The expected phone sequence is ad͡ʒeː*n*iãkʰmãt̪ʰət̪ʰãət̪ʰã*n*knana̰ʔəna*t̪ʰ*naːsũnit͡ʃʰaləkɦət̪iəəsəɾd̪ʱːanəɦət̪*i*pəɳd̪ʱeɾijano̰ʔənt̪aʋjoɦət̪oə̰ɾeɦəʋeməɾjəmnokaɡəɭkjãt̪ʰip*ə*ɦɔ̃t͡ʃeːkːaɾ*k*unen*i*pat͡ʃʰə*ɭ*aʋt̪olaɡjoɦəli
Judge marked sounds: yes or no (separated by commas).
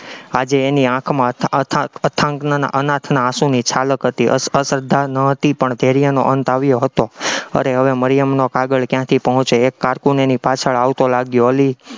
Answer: yes, no, yes, yes, yes, yes, yes, yes